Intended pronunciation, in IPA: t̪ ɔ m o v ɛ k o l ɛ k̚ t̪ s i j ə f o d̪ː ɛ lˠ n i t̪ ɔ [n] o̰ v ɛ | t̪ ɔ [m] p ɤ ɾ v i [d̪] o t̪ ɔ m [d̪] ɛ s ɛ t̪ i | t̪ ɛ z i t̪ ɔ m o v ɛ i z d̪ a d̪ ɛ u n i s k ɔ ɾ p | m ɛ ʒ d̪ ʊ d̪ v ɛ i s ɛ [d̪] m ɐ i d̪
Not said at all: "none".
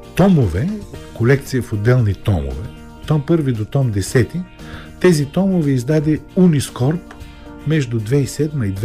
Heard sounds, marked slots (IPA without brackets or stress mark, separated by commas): m, m, d̪, d̪, d̪